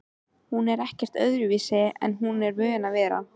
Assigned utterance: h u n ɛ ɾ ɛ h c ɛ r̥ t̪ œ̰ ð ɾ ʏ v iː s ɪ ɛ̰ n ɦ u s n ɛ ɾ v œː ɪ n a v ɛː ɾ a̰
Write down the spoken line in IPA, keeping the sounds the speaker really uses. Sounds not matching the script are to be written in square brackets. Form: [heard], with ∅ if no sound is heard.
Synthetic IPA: h u n ɛ ɾ ɛ h c ɛ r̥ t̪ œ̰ ð ɾ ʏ v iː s ɪ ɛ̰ n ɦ u [∅] n ɛ ɾ v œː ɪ n a v ɛː ɾ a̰

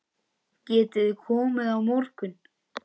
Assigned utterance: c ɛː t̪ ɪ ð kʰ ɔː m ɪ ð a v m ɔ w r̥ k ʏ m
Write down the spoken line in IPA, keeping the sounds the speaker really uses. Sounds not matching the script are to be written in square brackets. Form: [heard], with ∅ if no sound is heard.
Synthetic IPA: c ɛː t̪ ɪ ð kʰ ɔː m ɪ ð a [w] m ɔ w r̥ k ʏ [n]

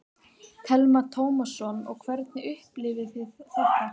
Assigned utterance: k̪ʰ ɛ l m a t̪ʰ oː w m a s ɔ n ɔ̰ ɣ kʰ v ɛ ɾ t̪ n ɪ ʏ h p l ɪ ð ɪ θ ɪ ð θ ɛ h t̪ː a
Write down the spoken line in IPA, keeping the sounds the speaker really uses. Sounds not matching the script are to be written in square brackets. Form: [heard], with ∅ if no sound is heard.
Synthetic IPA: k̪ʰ ɛ l m a t̪ʰ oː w m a s ɔ n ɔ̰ ɣ kʰ v ɛ ɾ t̪ n ɪ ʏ h p l ɪ [v] ɪ θ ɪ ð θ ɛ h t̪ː a

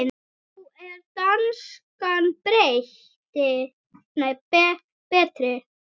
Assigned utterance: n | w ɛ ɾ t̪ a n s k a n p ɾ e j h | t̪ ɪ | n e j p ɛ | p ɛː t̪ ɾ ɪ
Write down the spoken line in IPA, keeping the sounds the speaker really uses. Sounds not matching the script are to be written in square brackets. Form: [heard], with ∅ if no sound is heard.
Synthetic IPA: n | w ɛ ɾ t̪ a n s k a n p ɾ e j h | t̪ ɪ | n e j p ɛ | p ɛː t̪ ɾ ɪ

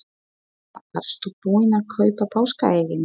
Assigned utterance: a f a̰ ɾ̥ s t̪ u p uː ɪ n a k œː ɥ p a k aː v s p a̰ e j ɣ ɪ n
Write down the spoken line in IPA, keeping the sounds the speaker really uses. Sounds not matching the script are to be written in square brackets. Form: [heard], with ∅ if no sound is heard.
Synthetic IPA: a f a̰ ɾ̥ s t̪ u p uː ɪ n a [kʰ] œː ɥ p a [p] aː [w] s [k] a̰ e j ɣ ɪ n

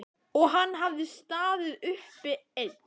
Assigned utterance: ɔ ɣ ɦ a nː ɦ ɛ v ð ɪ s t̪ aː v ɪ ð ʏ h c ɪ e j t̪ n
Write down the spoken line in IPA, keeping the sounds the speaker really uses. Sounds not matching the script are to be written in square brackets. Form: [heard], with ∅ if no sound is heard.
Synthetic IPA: ɔ ɣ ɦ a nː ɦ [a] v ð ɪ s t̪ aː [ð] ɪ ð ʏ h [p] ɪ e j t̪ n

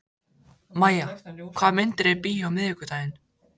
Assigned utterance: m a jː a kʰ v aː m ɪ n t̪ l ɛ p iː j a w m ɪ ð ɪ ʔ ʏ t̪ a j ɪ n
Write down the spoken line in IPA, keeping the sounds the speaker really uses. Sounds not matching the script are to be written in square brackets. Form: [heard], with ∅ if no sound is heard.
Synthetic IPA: m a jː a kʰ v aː m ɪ n t̪ [ɾ] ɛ p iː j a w m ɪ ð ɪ [k] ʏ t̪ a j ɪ n

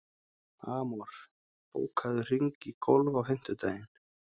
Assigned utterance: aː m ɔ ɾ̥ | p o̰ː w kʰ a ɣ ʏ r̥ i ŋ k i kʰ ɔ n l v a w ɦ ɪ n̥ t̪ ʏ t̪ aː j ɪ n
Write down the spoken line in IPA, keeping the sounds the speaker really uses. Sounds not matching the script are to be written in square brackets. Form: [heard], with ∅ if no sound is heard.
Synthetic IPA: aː m ɔ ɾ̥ | p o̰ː w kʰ a [ð] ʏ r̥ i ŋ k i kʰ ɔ [∅] l v a w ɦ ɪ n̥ t̪ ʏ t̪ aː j ɪ n

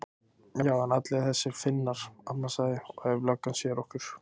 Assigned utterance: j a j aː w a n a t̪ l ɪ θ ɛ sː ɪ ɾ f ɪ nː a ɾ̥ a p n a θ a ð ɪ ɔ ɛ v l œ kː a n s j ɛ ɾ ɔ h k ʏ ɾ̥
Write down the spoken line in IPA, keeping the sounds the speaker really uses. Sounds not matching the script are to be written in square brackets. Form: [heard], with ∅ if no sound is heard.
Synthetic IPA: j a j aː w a n a t̪ l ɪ θ ɛ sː ɪ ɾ f ɪ nː a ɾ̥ a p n a [s] a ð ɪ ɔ ɛ v l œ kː a n s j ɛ ɾ ɔ h k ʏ ɾ̥

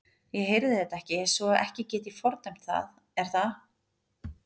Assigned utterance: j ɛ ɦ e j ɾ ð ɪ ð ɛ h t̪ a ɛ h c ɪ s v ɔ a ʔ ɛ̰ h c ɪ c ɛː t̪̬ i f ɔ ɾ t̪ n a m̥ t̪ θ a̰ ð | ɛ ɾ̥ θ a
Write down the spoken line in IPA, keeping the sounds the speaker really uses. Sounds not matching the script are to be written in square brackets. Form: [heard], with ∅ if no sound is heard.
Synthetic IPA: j ɛ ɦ e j ɾ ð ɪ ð ɛ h t̪ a ɛ h c ɪ s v ɔ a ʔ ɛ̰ h c ɪ c ɛː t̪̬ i f ɔ ɾ t̪ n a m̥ t̪ θ a̰ ð | ɛ ɾ̥ θ a

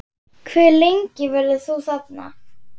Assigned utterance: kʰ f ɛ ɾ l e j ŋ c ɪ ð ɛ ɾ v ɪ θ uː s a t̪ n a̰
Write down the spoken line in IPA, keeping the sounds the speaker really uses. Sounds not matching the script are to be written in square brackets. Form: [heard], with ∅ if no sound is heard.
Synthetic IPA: kʰ [v] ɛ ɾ l e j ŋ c ɪ [v] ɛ ɾ [ð] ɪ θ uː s a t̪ n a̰

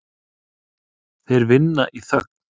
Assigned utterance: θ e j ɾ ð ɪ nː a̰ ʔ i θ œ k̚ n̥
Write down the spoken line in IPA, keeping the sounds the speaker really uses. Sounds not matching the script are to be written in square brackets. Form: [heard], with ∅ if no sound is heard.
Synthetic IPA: θ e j ɾ [v] ɪ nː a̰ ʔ i θ œ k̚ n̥

